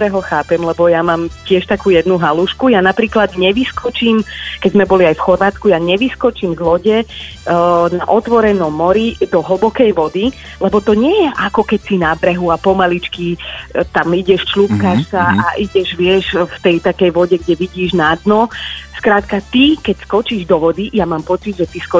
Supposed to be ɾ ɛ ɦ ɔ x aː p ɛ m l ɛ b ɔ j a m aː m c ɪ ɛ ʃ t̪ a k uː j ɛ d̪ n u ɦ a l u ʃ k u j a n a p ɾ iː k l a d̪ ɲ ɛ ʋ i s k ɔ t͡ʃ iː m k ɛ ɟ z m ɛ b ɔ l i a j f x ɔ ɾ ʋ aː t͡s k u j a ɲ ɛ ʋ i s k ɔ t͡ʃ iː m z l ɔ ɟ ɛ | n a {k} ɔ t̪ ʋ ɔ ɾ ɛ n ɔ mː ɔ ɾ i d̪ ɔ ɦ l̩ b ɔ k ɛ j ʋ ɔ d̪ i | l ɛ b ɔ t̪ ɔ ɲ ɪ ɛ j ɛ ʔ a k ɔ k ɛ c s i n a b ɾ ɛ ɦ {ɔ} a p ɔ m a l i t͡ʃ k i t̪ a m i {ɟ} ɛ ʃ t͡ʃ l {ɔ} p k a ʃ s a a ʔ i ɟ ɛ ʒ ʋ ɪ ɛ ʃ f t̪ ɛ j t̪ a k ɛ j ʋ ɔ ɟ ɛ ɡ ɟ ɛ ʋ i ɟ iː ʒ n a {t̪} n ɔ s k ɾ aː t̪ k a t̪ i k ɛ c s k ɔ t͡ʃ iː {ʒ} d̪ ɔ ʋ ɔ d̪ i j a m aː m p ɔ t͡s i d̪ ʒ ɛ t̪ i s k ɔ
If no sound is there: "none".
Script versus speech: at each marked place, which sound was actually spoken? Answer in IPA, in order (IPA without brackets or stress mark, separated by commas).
ʔ, u, ɟ, u, d̪, ʒ